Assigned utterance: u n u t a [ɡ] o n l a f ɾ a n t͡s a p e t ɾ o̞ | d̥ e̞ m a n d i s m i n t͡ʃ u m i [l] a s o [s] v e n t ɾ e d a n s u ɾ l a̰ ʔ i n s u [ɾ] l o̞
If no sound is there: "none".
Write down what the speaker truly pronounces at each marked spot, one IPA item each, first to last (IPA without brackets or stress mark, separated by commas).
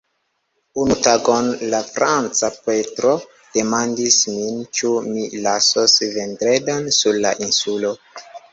ɡ, l, s, none